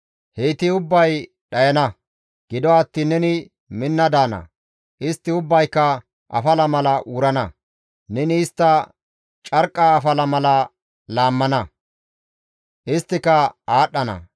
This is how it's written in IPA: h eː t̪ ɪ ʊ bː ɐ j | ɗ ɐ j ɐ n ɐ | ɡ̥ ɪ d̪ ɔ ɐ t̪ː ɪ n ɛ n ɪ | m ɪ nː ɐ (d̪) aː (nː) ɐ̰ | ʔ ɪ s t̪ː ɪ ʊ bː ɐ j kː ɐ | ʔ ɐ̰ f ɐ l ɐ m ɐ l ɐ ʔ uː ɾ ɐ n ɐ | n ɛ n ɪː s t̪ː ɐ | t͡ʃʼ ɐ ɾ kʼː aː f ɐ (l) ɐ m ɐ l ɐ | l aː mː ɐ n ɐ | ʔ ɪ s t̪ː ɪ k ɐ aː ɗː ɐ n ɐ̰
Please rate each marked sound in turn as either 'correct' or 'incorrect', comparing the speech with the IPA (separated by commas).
correct, incorrect, correct